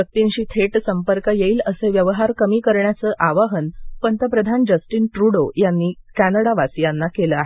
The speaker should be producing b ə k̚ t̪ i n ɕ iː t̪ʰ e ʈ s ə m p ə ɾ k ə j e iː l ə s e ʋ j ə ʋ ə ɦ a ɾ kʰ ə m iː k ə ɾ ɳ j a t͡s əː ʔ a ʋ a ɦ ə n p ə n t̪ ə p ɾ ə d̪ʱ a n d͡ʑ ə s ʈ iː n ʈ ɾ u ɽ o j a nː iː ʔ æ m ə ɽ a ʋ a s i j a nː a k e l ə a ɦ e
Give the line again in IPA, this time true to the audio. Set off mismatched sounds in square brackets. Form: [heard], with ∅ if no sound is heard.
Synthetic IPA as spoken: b ə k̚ t̪ i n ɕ iː t̪ʰ e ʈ s ə m p ə ɾ k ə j e iː l ə s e ʋ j ə ʋ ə ɦ a ɾ [k] ə m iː k ə ɾ ɳ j a t͡s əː ʔ a ʋ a ɦ ə n p ə n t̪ ə p ɾ ə d̪ʱ a n d͡ʑ ə s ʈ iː n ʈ ɾ u ɽ o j a nː iː [k] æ [n] ə ɽ a ʋ a s i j a nː a k e l ə a ɦ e

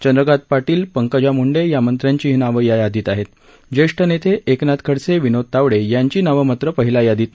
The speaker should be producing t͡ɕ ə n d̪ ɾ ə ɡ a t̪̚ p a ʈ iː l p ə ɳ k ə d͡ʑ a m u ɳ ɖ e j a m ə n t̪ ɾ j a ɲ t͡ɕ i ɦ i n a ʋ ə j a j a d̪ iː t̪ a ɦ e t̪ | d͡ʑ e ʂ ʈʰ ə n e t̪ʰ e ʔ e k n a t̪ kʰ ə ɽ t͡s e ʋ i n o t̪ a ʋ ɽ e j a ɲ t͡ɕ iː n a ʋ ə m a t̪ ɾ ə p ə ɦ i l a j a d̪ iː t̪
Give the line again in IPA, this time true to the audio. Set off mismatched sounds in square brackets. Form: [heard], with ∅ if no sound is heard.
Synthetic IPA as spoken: t͡ɕ ə n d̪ ɾ ə ɡ a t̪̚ p a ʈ iː l p ə [ŋ] k ə d͡ʑ a m u ɳ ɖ e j a m ə n t̪ ɾ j a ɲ t͡ɕ i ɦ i n a ʋ ə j a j a d̪ iː t̪ a ɦ e t̪ | d͡ʑ e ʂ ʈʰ ə n e t̪ʰ e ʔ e k n a t̪ kʰ ə ɽ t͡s e ʋ i n o t̪ a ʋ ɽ e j a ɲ t͡ɕ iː n a ʋ ə m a t̪ ɾ ə p ə ɦ i l a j a d̪ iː t̪

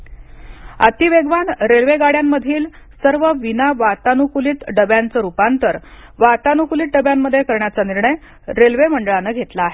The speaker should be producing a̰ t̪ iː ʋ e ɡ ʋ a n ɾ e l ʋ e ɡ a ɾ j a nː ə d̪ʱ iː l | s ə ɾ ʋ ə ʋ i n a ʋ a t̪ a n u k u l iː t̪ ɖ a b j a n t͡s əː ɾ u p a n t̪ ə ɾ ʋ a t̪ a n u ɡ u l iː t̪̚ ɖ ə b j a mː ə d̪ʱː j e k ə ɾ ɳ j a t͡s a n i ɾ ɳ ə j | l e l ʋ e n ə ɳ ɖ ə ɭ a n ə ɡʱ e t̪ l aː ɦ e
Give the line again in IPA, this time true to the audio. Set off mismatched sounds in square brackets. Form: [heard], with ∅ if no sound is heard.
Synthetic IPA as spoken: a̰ t̪ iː ʋ e ɡ ʋ a n ɾ e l ʋ e ɡ a [ɽ] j a [mː] ə d̪ʱ iː l | s ə ɾ ʋ ə ʋ i n a ʋ a t̪ a n u k u l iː t̪ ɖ [ə] b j a n t͡s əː ɾ u p a n t̪ ə ɾ ʋ a t̪ a n u [k] u l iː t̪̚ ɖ ə b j a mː ə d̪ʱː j e k ə ɾ ɳ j a t͡s a n i ɾ ɳ ə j | [ɾ] e l ʋ e [m] ə ɳ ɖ ə ɭ a n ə ɡʱ e t̪ l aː ɦ e

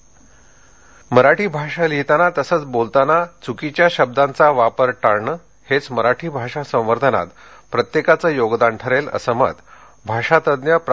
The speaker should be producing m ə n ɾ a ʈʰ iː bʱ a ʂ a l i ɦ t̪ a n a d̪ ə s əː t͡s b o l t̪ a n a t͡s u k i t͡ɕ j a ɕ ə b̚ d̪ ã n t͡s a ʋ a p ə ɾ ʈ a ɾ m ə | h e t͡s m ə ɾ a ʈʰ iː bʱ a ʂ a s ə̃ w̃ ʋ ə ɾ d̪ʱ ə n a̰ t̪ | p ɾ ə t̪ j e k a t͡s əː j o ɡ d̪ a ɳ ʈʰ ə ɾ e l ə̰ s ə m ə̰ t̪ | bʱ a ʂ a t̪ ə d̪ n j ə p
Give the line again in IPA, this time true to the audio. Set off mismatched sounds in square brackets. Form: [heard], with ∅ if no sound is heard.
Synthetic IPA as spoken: m ə [∅] ɾ a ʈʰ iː bʱ a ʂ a l i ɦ t̪ a n a [t̪] ə s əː t͡s b o l t̪ a n a t͡s u k i t͡ɕ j a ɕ ə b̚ d̪ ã n t͡s a ʋ a p ə ɾ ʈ a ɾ [ɳ] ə | h e t͡s m ə ɾ a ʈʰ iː bʱ a ʂ a s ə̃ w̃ ʋ ə ɾ d̪ʱ ə n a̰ t̪ | p ɾ ə t̪ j e k a t͡s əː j o ɡ d̪ a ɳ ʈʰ ə ɾ e l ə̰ s ə m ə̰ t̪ | bʱ a ʂ a t̪ ə d̪ n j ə p

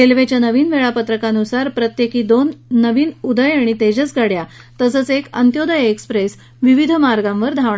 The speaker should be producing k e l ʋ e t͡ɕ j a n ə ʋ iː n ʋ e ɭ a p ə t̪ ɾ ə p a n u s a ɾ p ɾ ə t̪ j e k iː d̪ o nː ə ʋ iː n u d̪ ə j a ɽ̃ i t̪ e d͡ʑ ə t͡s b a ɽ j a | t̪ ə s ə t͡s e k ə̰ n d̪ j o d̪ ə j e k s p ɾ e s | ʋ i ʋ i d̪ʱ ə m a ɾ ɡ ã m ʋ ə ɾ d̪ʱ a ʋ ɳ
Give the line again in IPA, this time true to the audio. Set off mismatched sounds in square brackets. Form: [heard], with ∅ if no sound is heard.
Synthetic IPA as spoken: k e l ʋ e t͡ɕ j a n ə ʋ iː n ʋ e ɭ a p ə t̪ ɾ ə [k] a n u s a ɾ p ɾ ə t̪ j e k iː d̪ o nː ə ʋ iː n u d̪ ə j a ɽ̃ i t̪ e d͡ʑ ə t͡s [ɡ] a ɽ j a | t̪ ə s ə t͡s e k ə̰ n [t̪] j o d̪ ə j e k s p ɾ e s | ʋ i ʋ i d̪ʱ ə m a ɾ ɡ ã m ʋ ə ɾ d̪ʱ a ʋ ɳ

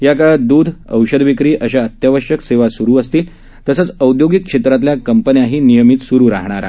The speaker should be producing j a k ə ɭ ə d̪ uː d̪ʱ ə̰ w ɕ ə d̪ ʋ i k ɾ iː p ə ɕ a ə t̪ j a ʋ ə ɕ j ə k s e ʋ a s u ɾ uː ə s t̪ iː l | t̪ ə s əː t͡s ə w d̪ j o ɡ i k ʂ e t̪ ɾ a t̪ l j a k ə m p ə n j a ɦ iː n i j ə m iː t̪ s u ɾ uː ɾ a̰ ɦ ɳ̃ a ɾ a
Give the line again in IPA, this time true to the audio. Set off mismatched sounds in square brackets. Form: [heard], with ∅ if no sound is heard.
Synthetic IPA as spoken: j a k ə ɭ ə d̪ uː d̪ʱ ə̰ w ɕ ə d̪ ʋ i k ɾ iː [ʔ] ə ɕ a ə t̪ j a ʋ ə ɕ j ə k s e ʋ a s u ɾ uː ə s t̪ iː l | t̪ ə s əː t͡s ə w d̪ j o ɡ i k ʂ e t̪ ɾ a t̪ l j a k ə m p ə n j a ɦ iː n i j ə m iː t̪ s u ɾ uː ɾ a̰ ɦ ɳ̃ a ɾ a

